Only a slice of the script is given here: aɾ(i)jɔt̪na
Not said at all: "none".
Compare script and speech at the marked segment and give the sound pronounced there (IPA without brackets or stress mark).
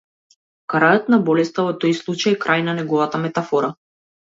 a